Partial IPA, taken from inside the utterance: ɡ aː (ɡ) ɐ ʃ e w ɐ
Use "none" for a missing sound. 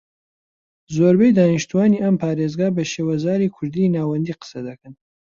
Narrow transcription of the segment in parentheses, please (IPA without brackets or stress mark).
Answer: b